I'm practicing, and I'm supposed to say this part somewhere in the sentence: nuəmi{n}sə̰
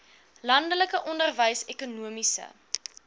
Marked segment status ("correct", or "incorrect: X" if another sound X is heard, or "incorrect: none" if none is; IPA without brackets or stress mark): incorrect: none